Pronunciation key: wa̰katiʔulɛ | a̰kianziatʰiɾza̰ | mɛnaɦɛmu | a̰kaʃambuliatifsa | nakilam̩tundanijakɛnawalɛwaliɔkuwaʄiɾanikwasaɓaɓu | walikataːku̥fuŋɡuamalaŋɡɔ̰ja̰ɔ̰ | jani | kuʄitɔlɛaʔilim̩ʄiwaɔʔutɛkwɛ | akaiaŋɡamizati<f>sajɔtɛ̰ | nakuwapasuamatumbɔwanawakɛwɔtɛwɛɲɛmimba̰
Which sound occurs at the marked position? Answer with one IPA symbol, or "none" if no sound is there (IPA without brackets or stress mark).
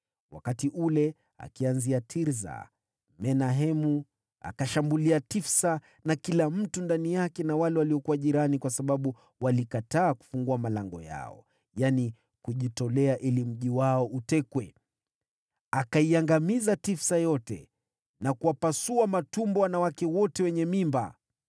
f